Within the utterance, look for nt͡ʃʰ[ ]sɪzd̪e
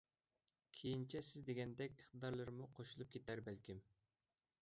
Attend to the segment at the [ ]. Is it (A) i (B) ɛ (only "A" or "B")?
B